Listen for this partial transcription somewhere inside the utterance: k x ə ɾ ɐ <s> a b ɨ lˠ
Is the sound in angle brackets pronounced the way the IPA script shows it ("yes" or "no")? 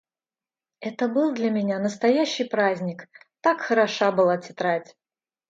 no